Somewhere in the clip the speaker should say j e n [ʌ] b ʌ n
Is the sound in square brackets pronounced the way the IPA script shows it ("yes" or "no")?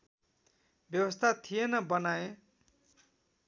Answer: yes